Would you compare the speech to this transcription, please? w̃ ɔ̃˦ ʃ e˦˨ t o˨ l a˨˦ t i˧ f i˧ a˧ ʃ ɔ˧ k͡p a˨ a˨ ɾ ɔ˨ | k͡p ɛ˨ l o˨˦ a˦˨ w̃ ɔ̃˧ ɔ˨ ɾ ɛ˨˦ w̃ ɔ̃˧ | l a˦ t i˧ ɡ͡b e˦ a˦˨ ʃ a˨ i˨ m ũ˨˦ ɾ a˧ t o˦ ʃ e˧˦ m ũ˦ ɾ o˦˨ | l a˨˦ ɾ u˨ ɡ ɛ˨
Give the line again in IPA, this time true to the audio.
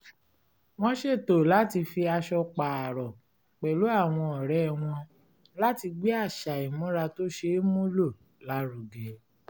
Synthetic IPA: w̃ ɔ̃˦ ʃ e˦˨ t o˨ l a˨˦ t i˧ f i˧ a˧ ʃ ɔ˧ k͡p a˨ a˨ ɾ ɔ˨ | k͡p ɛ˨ l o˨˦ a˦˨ w̃ ɔ̃˧ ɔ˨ ɾ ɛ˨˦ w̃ ɔ̃˧ | l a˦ t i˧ ɡ͡b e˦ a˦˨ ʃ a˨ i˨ m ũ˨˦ ɾ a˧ t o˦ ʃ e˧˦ m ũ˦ l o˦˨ | l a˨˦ ɾ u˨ ɡ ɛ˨